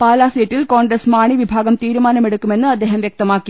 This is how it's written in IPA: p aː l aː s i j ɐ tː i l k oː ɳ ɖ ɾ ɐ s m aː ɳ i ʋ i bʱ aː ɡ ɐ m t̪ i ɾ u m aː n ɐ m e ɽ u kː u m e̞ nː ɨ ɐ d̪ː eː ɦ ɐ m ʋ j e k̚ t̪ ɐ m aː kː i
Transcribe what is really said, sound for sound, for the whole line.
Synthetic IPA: p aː l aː s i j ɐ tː i l k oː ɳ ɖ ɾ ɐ s m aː ɳ i ʋ i bʱ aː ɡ ɐ m t̪ iː ɾ u m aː n ɐ m e ɽ u kː u m e̞ nː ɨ ɐ d̪ː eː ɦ ɐ m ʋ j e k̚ t̪ ɐ m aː kː i